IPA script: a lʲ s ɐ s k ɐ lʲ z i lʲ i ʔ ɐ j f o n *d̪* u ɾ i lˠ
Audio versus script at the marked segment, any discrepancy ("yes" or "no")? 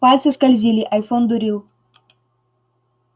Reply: no